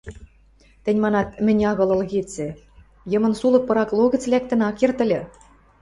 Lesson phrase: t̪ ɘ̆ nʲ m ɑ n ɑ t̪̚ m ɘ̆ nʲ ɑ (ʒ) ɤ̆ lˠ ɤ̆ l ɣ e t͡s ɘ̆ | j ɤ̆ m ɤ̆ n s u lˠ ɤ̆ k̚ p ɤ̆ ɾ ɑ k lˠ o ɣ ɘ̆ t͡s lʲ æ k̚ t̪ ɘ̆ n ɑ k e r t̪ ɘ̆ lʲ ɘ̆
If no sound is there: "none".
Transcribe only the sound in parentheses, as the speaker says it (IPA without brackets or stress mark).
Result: ɣ